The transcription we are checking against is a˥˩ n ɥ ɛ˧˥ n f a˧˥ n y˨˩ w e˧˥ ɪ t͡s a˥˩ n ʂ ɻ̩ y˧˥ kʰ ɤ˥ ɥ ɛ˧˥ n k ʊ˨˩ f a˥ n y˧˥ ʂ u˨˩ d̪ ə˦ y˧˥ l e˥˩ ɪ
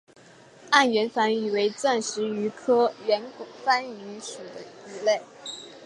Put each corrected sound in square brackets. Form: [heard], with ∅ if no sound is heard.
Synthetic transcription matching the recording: a˥˩ n ɥ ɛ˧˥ n f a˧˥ n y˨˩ w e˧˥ ɪ t͡s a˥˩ n ʂ ɻ̩ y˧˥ kʰ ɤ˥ ɥ ɛ˧˥ n k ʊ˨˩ f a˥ n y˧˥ ʂ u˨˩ d̪ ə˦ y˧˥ l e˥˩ ɪ